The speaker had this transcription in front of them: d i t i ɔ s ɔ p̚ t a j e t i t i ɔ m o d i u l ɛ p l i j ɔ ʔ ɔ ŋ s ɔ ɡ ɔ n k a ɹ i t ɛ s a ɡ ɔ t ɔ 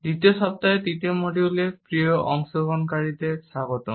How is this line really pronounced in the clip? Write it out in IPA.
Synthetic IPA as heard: d i t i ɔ s ɔ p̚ t a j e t i t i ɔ m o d i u l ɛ p ɹ i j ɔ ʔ ɔ ŋ s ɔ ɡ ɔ n k a ɹ i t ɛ s a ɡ ɔ t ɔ